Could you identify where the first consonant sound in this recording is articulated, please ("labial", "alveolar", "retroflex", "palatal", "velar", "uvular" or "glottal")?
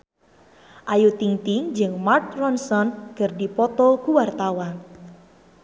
glottal